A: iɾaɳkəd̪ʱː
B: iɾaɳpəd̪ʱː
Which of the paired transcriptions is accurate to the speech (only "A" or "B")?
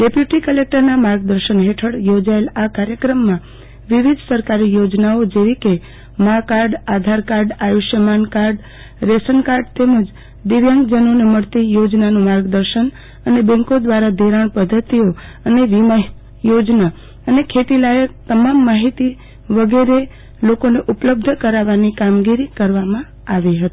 B